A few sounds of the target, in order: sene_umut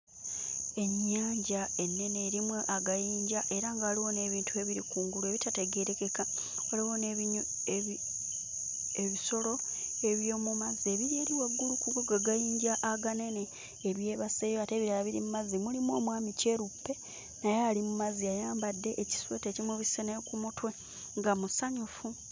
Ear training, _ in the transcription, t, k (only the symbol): k